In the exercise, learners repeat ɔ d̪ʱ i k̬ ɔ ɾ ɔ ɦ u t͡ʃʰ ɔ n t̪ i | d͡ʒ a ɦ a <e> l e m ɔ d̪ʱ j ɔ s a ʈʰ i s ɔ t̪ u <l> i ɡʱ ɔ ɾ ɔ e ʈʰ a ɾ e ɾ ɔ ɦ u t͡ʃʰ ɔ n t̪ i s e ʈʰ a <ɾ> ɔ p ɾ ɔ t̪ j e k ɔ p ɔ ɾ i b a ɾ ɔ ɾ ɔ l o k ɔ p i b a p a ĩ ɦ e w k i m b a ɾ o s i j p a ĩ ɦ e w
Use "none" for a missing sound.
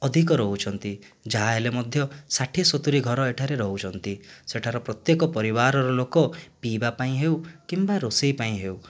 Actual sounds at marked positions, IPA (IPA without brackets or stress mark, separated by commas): e, ɾ, ɾ